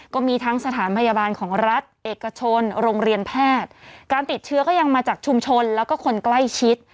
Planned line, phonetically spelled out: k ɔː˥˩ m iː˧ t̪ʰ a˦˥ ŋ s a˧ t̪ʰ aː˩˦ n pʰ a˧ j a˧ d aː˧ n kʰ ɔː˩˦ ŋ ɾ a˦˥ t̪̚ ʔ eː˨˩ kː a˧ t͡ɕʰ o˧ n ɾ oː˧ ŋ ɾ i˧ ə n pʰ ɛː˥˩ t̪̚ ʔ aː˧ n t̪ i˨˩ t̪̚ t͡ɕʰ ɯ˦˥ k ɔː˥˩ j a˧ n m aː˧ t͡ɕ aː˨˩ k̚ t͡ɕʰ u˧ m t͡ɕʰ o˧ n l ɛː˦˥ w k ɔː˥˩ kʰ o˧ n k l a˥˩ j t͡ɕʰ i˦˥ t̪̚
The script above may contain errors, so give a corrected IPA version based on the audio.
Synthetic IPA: k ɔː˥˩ m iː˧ t̪ʰ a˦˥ ŋ s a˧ t̪ʰ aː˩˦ n pʰ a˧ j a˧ b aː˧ n kʰ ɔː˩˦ ŋ ɾ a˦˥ t̪̚ ʔ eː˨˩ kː a˧ t͡ɕʰ o˧ n ɾ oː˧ ŋ ɾ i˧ ə n pʰ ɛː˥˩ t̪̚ k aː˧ n t̪ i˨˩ t̪̚ t͡ɕʰ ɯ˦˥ k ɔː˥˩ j a˧ ŋ m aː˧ t͡ɕ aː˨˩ k̚ t͡ɕʰ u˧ m t͡ɕʰ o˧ n l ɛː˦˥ w k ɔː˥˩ kʰ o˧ n k l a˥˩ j t͡ɕʰ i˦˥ t̪̚